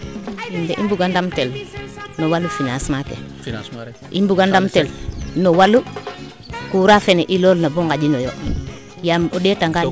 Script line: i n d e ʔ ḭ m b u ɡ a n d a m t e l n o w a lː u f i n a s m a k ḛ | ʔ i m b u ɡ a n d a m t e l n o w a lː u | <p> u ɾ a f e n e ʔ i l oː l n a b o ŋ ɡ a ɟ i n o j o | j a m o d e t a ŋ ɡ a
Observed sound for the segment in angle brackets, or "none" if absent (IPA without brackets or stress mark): k